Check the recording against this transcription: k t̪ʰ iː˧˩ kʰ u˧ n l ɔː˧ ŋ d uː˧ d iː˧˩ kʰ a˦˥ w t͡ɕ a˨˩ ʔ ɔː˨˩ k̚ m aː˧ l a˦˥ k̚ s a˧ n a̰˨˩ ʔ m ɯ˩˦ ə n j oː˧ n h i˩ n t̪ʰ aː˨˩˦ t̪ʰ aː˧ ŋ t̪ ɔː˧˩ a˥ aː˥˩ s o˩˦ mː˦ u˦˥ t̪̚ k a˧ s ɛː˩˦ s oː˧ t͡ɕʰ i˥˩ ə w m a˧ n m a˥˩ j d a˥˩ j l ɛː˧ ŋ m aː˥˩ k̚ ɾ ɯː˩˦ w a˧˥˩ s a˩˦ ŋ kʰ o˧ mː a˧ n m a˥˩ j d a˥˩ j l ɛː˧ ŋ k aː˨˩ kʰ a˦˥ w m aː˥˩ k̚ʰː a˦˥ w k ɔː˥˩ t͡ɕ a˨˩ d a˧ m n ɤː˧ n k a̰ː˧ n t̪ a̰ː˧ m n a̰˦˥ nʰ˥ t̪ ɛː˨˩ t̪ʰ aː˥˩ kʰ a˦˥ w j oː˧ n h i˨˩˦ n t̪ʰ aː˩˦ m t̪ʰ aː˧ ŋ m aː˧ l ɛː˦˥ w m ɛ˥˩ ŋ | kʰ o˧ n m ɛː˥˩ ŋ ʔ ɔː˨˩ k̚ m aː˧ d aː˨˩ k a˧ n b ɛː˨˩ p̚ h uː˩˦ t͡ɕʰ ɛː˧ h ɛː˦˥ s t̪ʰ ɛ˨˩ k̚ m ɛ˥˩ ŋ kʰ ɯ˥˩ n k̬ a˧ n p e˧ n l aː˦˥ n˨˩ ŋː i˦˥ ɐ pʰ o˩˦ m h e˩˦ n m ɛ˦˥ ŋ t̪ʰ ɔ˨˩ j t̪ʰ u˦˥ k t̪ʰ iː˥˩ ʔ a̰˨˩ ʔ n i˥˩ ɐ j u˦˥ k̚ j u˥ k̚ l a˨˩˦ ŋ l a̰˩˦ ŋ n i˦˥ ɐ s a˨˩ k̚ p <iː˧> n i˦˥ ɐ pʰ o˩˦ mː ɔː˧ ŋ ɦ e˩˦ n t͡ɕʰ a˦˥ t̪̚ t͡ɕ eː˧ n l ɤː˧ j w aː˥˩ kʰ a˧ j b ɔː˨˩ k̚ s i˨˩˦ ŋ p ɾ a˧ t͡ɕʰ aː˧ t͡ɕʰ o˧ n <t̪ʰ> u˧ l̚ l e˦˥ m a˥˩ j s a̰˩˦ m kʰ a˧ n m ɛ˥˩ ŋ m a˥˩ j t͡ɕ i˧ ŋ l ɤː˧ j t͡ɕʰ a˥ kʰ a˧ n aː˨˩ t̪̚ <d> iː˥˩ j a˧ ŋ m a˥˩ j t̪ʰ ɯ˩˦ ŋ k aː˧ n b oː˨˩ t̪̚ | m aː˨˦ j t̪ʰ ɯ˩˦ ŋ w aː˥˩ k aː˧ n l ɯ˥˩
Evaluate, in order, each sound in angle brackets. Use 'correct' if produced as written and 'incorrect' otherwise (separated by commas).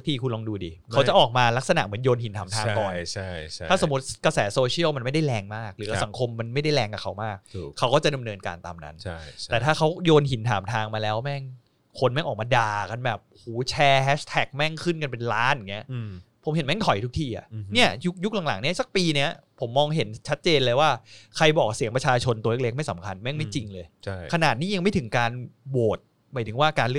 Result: correct, incorrect, incorrect